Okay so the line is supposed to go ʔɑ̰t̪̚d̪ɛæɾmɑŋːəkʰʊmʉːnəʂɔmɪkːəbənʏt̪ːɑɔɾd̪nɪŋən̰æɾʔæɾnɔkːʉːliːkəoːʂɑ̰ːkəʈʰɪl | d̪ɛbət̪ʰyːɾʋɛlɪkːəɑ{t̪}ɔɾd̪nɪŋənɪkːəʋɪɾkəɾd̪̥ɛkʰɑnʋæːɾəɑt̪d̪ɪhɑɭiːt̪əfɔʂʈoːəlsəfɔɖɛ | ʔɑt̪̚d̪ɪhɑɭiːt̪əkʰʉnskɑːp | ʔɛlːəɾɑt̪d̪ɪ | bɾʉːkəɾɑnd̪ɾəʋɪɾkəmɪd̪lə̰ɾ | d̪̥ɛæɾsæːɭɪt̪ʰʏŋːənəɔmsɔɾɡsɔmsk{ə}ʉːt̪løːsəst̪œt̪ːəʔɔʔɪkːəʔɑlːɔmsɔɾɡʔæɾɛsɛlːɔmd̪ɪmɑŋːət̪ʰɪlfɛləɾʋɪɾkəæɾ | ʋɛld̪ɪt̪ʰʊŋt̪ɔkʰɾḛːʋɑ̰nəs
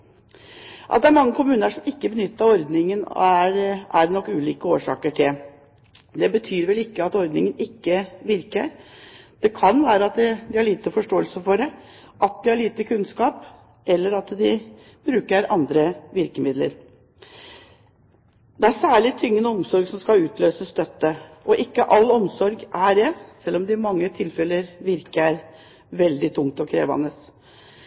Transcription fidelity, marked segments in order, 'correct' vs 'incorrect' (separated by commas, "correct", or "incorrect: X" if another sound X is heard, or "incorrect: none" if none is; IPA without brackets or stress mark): correct, incorrect: ɑ